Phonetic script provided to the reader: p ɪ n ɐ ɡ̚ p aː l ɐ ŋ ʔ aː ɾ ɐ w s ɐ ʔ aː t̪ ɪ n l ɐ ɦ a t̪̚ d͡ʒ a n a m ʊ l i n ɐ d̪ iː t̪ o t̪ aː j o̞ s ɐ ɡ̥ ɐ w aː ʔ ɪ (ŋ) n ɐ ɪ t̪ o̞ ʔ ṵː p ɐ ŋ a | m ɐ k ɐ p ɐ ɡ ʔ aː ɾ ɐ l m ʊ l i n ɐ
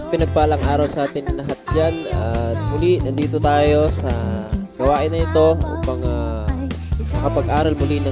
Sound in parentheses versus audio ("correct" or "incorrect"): incorrect